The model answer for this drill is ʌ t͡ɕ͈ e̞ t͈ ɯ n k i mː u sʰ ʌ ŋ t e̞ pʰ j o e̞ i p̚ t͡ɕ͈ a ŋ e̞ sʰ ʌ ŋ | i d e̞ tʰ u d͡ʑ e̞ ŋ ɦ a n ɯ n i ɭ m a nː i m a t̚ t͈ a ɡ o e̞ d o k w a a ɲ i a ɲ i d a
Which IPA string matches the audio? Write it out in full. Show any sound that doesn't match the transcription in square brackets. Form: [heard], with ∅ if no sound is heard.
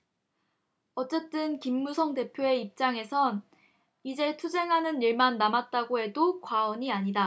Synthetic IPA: ʌ t͡ɕ͈ e̞ t͈ ɯ n k i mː u sʰ ʌ ŋ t e̞ pʰ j o e̞ i p̚ t͡ɕ͈ a ŋ e̞ sʰ ʌ [n] | i [d͡ʑ] e̞ tʰ u d͡ʑ e̞ ŋ ɦ a n ɯ n i ɭ m a nː [a] m a t̚ t͈ a ɡ o e̞ d o k w a [ʌ] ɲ i a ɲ i d a